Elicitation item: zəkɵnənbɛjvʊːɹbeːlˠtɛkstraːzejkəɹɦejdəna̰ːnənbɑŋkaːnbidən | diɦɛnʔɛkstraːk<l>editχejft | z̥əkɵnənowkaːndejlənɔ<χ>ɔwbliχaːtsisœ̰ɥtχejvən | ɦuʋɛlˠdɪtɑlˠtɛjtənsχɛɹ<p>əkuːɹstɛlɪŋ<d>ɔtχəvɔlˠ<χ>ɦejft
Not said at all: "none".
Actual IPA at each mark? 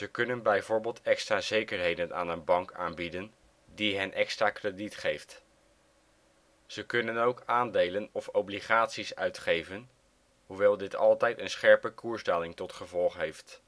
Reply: r, f, p, t, χ

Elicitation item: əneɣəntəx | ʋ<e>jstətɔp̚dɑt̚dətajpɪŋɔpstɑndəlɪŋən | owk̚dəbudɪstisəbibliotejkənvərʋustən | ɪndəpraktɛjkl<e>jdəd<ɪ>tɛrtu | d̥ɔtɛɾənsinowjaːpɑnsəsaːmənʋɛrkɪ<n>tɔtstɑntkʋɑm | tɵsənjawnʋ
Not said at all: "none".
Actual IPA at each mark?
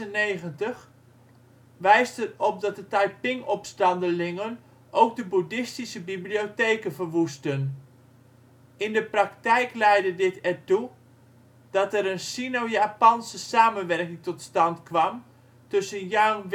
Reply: ɛ, ɛ, ɪ, ŋ

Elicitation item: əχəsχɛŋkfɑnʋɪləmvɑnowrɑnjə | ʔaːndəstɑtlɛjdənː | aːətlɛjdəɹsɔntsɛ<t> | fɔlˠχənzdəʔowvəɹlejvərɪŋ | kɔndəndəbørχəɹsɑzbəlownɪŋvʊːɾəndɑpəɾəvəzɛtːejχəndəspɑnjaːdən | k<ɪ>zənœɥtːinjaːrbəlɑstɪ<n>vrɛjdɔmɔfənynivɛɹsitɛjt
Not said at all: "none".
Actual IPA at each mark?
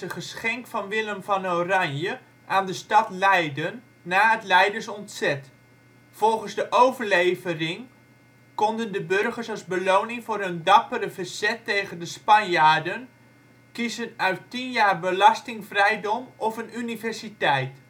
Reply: t, i, ŋ

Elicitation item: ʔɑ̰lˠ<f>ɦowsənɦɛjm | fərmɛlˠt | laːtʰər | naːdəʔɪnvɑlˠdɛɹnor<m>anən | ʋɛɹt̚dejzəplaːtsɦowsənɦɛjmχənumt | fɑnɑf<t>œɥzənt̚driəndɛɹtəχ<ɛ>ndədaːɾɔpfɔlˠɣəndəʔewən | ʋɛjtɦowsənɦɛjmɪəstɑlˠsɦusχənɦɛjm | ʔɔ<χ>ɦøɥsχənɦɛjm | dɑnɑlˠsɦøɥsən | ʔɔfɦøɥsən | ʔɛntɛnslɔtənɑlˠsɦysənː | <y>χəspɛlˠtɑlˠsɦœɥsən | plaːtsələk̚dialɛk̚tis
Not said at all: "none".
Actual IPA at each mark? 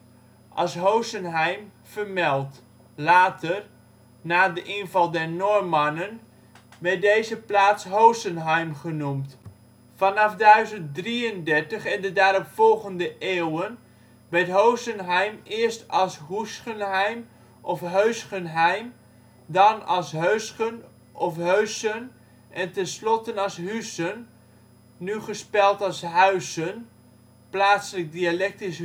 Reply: s, m, d, ɛ, f, y

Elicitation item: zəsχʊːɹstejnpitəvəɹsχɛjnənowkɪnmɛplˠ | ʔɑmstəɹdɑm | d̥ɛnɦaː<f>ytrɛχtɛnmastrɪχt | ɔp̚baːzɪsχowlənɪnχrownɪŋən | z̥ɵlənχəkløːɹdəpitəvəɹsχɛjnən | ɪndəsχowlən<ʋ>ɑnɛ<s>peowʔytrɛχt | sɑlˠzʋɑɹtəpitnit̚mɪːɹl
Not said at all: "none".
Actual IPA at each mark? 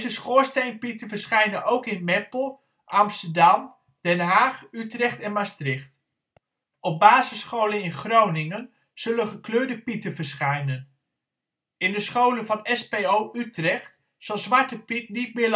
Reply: χ, v, s

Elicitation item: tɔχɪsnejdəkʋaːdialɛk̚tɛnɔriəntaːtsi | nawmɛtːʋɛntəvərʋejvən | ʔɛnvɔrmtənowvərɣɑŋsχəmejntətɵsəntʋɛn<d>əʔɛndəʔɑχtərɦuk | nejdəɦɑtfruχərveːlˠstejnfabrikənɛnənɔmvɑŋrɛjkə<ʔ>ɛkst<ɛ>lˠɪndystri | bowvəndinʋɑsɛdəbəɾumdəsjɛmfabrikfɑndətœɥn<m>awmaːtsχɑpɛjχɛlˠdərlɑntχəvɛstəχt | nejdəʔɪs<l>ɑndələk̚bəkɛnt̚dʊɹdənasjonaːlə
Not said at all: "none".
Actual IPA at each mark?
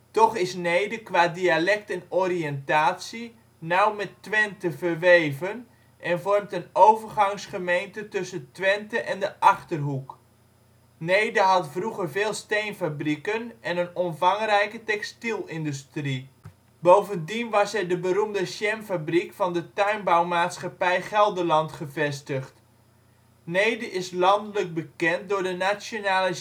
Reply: t, t, i, b, l

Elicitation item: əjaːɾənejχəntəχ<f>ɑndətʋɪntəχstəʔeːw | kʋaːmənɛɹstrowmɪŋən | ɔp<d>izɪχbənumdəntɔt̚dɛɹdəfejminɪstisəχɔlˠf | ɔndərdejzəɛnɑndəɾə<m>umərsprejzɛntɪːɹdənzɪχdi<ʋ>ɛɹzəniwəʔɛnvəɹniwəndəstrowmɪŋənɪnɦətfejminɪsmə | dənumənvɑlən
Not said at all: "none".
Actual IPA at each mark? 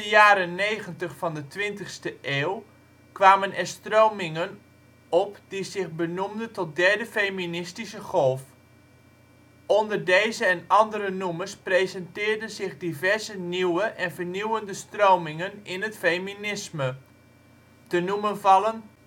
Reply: f, d, n, v

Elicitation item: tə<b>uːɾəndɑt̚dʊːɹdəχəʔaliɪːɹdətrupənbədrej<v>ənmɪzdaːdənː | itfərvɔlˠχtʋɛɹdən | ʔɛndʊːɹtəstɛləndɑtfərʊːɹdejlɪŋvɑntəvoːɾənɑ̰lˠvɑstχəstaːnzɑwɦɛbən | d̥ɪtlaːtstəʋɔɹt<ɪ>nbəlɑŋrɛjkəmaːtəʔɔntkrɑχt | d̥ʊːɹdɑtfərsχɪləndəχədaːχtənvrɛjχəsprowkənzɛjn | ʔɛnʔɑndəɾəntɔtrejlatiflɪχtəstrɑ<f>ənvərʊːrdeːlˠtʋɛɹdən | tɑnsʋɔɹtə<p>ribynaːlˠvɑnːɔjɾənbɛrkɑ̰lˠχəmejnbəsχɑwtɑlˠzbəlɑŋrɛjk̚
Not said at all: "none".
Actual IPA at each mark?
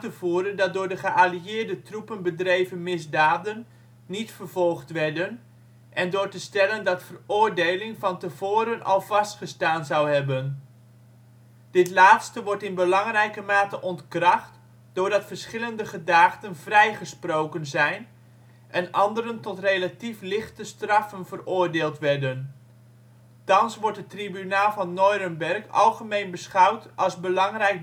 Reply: v, v, ɪ, f, t

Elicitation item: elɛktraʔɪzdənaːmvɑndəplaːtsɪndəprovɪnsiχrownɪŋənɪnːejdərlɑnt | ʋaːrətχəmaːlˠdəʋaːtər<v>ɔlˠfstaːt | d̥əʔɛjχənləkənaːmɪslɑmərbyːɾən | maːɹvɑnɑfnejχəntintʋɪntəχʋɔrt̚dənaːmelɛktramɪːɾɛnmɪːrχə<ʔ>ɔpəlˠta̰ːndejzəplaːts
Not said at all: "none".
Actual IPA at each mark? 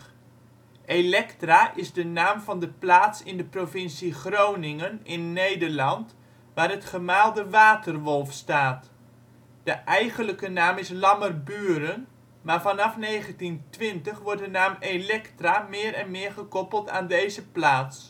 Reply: ʋ, k

